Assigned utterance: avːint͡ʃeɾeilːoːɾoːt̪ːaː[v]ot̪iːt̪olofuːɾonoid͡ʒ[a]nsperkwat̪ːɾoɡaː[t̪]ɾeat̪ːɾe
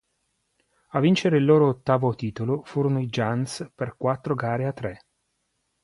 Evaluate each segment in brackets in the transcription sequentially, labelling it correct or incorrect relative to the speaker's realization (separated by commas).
correct, correct, incorrect